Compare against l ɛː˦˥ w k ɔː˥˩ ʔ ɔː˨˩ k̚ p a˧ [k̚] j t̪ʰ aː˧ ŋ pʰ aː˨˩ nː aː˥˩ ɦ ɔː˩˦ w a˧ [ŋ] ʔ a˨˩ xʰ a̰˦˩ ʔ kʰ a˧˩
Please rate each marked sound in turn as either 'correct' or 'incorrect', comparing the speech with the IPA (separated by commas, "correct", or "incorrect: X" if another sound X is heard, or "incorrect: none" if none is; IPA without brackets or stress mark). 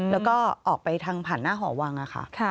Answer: incorrect: none, correct